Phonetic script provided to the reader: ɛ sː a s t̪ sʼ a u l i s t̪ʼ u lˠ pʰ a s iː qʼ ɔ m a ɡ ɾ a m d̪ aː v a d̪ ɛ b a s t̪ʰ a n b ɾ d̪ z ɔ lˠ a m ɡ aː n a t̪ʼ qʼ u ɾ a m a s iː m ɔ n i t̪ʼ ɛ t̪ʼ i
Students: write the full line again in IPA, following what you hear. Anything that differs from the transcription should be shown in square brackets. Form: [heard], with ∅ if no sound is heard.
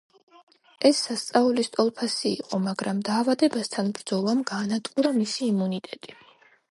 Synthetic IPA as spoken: ɛ sː a s t̪ sʼ a u l i s t̪ʼ [ɔ] lˠ pʰ a s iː qʼ ɔ m a ɡ ɾ a m d̪ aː v a d̪ ɛ b a s t̪ʰ a n b ɾ d̪ z ɔ lˠ a m ɡ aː n a t̪ʼ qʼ u ɾ a m [i] s iː m [u] n i t̪ʼ ɛ t̪ʼ i